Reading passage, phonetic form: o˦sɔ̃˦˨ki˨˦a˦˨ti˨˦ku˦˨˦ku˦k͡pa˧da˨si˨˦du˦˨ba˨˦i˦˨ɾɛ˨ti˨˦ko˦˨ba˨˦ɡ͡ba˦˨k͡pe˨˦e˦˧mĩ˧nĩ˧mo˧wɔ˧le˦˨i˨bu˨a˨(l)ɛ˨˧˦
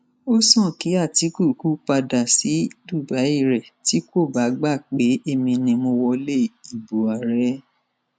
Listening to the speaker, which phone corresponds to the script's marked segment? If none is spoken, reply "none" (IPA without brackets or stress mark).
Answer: ɾ